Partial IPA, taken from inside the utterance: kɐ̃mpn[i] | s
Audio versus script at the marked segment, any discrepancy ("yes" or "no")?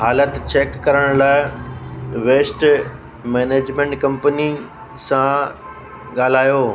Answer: no